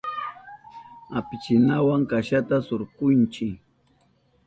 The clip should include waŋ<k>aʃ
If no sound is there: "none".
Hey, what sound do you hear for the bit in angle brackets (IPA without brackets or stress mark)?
k